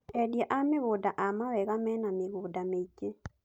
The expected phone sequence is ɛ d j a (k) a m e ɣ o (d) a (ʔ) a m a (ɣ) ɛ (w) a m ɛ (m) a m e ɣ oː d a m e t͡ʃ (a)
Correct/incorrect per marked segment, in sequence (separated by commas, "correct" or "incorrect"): incorrect, correct, correct, incorrect, incorrect, incorrect, incorrect